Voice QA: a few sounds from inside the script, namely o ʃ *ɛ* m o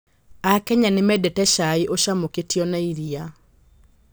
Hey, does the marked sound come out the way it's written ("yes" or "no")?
no